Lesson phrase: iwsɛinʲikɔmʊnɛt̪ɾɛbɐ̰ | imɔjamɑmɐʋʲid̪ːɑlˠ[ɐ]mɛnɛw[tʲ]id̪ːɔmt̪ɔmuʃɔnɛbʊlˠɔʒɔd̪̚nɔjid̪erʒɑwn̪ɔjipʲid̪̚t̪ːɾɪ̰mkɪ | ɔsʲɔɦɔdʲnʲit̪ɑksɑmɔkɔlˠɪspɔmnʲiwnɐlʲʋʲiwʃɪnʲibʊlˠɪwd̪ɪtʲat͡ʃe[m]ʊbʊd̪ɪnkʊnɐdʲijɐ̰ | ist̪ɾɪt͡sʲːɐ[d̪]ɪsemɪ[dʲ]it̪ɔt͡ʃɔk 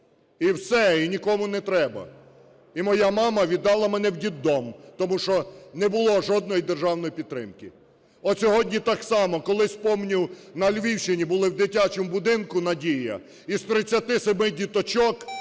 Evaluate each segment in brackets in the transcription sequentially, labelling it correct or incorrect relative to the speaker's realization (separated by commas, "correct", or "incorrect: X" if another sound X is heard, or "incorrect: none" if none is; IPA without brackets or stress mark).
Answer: correct, incorrect: dʲ, correct, incorrect: t̪, correct